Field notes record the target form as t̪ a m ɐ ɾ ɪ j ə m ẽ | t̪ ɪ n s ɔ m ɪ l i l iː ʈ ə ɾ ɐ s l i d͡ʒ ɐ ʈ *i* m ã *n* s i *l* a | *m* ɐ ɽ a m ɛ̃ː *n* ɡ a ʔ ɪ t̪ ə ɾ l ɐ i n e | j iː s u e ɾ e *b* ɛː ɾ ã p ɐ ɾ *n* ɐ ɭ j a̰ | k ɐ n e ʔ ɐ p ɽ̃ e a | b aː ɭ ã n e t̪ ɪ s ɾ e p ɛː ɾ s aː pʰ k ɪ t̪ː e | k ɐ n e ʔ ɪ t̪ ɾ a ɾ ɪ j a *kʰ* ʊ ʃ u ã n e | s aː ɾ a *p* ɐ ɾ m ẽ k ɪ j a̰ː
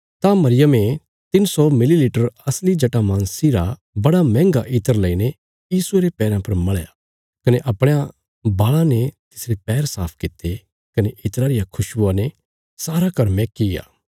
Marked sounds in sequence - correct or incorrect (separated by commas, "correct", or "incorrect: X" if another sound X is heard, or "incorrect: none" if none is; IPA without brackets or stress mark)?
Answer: incorrect: a, correct, incorrect: ɾ, incorrect: b, incorrect: ŋ, incorrect: p, incorrect: m, correct, incorrect: k